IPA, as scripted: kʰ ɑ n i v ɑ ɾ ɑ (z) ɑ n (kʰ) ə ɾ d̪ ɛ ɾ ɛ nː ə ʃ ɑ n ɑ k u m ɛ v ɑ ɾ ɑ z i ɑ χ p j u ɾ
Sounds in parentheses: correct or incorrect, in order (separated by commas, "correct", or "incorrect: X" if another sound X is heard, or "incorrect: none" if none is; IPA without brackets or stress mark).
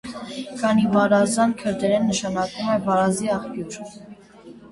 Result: correct, correct